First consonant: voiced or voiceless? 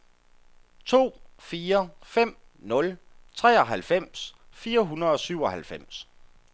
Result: voiceless